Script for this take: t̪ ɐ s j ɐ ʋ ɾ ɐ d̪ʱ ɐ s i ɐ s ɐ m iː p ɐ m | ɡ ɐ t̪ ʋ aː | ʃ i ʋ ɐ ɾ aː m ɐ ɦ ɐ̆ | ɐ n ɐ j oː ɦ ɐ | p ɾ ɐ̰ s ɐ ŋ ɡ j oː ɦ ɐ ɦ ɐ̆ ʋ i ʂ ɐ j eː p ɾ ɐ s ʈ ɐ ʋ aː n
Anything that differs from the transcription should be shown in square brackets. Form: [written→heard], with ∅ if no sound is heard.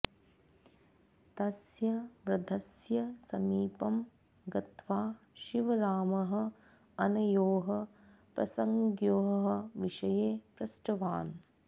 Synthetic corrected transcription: t̪ ɐ s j ɐ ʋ ɾ ɐ d̪ʱ ɐ s [i→j] ɐ s ɐ m iː p ɐ m | ɡ ɐ t̪ ʋ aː | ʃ i ʋ ɐ ɾ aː m ɐ ɦ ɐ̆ | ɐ n ɐ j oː ɦ ɐ | p ɾ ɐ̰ s ɐ ŋ ɡ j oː ɦ ɐ ɦ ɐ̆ ʋ i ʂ ɐ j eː p ɾ ɐ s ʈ ɐ ʋ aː n